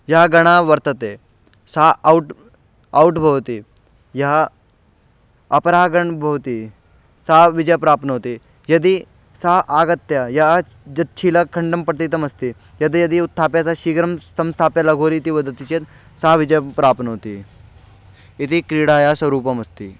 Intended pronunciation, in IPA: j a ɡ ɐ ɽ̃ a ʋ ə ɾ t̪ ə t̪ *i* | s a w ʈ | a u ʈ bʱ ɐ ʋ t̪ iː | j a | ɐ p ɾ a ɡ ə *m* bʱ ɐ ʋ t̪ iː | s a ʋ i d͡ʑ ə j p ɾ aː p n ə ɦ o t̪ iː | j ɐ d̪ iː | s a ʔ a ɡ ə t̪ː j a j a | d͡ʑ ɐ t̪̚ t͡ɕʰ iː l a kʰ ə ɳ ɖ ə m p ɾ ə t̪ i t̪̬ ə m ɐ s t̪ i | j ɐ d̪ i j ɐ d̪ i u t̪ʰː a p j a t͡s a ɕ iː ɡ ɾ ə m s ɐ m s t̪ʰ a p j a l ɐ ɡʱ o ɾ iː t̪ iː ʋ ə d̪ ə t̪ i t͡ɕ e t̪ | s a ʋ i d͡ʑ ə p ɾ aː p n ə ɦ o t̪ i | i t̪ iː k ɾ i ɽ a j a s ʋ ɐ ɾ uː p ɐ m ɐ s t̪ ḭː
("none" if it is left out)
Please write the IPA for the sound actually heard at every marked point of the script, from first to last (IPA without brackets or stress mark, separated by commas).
e, ɳ